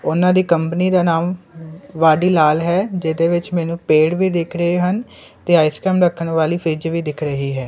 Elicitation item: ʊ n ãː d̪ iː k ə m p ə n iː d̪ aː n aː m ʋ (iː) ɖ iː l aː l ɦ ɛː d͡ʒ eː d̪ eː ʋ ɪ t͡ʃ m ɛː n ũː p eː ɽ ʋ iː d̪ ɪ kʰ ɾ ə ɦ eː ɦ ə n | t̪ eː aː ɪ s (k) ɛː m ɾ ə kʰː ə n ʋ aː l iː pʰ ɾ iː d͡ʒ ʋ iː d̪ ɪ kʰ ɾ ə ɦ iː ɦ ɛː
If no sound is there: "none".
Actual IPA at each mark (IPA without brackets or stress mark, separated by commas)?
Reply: aː, k